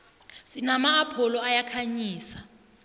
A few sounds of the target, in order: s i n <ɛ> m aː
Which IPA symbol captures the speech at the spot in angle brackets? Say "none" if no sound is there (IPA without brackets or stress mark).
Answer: a